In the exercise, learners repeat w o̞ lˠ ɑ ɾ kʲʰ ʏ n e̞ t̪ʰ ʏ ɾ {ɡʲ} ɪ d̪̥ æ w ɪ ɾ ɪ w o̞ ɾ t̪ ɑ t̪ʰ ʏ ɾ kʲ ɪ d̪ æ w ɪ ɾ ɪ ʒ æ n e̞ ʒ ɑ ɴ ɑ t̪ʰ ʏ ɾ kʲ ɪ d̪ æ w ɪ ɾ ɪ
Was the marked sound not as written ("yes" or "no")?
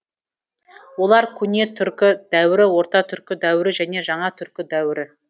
yes